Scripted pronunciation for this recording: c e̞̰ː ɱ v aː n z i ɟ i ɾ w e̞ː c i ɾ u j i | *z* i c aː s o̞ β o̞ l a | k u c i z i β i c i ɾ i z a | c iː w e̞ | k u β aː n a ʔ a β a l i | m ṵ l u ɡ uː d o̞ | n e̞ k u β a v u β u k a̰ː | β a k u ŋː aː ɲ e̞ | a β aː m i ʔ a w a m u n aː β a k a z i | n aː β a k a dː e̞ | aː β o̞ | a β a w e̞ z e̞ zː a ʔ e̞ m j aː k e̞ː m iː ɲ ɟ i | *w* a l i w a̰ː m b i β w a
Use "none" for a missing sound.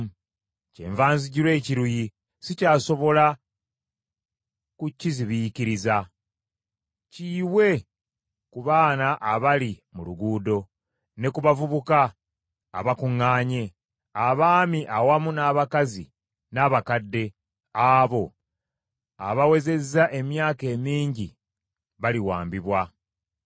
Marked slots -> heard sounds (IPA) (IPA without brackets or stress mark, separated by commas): s, β